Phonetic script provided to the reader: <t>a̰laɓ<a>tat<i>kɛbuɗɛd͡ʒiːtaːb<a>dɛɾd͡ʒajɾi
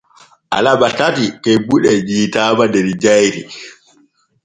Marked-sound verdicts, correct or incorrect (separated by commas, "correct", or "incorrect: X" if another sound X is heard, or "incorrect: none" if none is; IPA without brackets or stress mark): incorrect: ʔ, correct, correct, correct